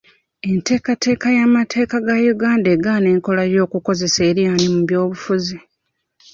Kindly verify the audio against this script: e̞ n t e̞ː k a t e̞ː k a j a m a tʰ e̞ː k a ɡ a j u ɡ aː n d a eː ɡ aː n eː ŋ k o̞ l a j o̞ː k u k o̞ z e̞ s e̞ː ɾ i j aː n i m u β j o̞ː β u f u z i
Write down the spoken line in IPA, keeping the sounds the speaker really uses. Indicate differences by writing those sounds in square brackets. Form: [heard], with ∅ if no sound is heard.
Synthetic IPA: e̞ n t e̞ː k a t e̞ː k a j a m a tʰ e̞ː k a ɡ a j u ɡ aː n d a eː ɡ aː n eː ŋ k o̞ l a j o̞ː k u k o̞ z e̞ s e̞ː ɾ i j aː n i m u β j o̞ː β u f u z i